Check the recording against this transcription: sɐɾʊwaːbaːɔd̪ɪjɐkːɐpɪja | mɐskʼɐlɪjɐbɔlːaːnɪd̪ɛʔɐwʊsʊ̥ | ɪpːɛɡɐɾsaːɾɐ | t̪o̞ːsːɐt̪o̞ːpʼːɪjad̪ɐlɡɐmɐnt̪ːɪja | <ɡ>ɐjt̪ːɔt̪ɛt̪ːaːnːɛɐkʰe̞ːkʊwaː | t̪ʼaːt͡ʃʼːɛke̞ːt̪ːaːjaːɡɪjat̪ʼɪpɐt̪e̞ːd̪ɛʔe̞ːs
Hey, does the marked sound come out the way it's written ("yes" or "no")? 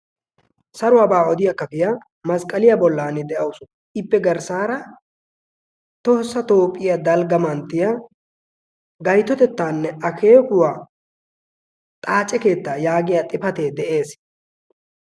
yes